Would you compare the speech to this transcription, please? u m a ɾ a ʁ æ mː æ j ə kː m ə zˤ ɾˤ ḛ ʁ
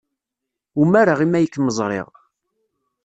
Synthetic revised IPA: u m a ɾ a ʁ i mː æ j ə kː m ə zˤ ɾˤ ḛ ʁ